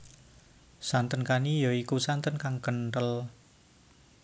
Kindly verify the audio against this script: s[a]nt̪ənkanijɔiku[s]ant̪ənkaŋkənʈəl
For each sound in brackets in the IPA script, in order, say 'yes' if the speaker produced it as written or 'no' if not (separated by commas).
yes, yes